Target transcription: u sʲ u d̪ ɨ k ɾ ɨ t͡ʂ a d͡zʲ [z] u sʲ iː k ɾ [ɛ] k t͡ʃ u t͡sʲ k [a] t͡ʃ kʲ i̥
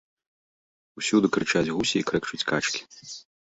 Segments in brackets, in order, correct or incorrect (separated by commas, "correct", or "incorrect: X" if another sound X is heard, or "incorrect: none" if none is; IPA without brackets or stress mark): incorrect: ɣ, correct, correct